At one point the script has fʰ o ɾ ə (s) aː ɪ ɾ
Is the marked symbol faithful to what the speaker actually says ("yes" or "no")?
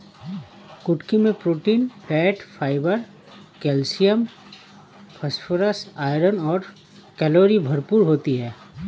yes